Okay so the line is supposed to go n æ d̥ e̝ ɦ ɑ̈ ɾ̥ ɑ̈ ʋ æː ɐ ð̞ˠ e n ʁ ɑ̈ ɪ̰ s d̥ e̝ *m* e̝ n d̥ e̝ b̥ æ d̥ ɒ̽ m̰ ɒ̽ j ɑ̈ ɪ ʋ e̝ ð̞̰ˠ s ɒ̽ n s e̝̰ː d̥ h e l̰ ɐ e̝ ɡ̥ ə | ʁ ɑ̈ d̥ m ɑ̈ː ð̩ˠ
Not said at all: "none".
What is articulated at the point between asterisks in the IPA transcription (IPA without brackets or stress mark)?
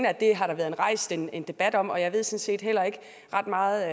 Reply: n